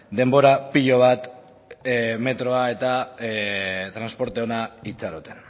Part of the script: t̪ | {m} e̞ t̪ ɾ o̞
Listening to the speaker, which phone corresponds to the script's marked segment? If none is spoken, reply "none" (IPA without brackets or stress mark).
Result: m